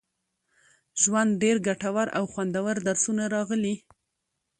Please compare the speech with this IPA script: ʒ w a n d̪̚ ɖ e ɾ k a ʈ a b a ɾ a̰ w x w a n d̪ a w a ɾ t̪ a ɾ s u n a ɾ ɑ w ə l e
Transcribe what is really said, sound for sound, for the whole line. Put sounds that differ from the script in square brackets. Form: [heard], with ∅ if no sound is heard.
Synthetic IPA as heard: ʒ w a n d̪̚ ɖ e ɾ [ɡ] a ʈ a [w] a ɾ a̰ w x w a n d̪ a w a ɾ [d̪] a ɾ s u n a ɾ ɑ [ɣ] ə l [i]